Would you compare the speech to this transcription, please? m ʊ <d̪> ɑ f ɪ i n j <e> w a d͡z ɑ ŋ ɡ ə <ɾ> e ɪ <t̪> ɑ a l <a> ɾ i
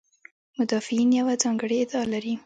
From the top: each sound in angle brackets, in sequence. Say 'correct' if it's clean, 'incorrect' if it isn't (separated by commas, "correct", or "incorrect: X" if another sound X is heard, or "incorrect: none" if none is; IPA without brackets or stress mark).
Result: correct, incorrect: a, incorrect: ɽ, incorrect: d̪, correct